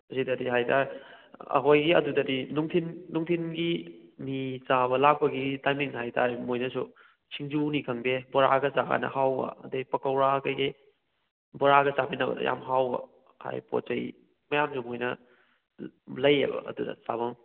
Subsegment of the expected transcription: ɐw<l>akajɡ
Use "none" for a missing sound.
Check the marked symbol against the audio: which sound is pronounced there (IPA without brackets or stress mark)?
ɾ